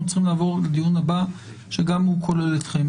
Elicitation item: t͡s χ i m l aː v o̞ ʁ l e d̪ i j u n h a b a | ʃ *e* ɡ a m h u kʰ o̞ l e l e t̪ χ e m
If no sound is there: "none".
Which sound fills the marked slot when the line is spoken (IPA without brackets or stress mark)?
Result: e